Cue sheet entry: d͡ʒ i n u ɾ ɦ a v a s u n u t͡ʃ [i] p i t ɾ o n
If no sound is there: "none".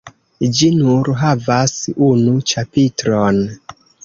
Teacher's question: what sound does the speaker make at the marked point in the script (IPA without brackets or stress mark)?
a